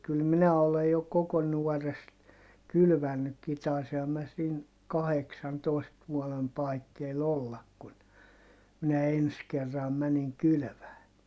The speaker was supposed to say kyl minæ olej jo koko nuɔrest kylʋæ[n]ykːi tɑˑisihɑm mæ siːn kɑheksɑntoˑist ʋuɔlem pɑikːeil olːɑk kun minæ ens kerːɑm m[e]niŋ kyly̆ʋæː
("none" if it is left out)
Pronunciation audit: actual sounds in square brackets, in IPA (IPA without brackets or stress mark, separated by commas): nː, æ